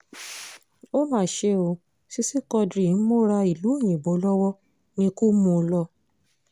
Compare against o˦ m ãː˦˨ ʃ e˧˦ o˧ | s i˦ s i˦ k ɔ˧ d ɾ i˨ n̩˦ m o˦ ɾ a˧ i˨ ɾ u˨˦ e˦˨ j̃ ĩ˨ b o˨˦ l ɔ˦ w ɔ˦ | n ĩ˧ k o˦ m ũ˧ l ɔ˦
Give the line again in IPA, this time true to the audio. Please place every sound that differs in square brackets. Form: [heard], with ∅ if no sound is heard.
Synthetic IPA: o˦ m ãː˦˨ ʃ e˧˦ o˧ | s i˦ s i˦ k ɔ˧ d ɾ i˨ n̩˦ m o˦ ɾ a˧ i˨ [l] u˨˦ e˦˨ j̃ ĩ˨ b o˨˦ l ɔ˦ w ɔ˦ | n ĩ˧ k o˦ m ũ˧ l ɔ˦